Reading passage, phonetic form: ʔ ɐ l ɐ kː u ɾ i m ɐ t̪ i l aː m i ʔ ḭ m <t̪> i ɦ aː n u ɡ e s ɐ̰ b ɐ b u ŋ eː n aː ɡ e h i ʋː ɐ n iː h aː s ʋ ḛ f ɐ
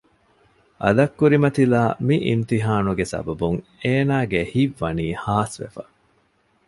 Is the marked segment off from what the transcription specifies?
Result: no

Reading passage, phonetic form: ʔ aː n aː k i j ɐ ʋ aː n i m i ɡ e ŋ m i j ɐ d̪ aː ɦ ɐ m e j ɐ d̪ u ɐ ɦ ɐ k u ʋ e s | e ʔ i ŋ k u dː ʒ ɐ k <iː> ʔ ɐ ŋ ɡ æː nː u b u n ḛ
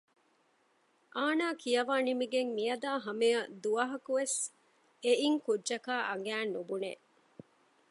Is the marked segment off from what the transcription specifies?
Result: yes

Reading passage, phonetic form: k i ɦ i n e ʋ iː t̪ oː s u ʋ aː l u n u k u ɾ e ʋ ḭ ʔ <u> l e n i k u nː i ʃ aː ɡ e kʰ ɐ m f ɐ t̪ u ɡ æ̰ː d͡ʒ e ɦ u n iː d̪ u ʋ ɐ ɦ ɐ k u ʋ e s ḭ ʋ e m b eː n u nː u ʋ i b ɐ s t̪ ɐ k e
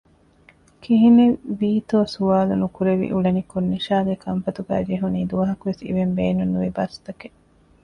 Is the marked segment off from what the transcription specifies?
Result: no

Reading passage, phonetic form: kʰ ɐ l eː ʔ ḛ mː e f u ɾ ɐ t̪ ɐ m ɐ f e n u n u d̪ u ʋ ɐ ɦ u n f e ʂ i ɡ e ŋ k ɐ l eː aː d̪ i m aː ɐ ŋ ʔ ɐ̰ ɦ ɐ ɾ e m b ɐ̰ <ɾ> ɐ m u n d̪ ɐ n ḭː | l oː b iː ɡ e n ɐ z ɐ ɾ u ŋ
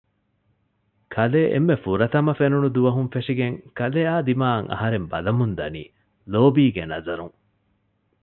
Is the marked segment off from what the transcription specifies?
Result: yes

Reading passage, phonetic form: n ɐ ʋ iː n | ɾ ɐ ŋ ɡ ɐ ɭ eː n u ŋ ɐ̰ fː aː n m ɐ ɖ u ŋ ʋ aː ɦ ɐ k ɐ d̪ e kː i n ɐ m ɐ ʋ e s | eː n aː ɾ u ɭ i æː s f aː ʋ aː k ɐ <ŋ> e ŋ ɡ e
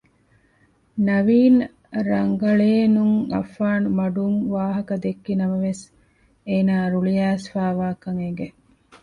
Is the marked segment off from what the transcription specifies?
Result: no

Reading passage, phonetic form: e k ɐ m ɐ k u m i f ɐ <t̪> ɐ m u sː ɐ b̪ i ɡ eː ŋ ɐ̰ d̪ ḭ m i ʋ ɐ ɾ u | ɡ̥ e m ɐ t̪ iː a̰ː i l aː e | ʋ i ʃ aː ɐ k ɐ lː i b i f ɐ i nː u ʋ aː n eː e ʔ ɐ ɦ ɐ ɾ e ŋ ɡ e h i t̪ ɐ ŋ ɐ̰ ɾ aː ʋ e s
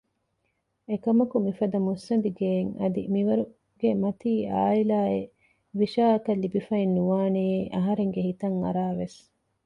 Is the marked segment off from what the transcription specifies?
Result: yes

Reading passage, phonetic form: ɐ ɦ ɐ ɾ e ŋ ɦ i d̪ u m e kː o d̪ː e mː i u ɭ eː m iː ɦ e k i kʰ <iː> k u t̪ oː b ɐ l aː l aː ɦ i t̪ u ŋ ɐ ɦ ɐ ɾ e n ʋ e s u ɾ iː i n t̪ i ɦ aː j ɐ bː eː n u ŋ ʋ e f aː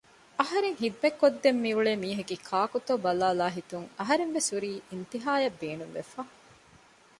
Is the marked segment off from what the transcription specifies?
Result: yes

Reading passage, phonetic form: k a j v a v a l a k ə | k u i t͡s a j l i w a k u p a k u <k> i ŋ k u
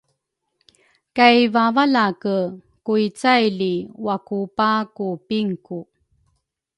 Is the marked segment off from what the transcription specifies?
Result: yes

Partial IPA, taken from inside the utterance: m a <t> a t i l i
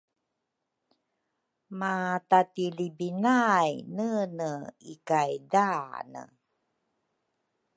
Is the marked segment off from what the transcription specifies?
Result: no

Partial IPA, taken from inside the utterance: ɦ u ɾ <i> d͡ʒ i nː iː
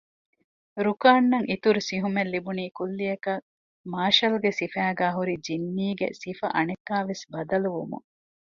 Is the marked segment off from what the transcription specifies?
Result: no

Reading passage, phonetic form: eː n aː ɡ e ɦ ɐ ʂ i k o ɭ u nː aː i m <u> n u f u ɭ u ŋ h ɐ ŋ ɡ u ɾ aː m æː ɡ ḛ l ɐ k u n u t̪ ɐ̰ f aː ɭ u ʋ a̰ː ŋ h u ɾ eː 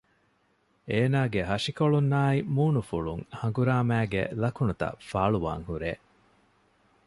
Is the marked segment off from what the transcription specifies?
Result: yes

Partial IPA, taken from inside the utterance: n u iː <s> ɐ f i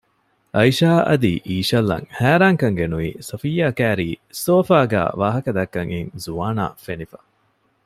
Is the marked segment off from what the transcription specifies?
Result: no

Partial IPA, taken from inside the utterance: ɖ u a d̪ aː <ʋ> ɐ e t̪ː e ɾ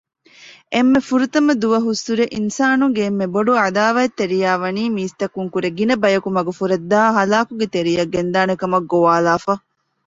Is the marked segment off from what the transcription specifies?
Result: no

